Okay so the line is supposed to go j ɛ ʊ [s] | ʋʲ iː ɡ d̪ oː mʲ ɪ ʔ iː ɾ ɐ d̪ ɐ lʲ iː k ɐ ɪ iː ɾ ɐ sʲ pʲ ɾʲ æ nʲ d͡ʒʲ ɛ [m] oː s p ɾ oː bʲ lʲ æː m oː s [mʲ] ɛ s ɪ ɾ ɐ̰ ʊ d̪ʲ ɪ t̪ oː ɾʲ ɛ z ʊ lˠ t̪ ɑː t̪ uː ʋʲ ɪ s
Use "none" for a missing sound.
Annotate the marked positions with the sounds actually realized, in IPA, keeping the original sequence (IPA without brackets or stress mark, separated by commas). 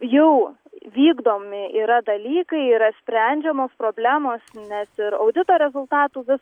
none, m, nʲ